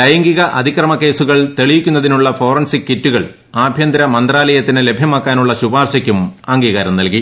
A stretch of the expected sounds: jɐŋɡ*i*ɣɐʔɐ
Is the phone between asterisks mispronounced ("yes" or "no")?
no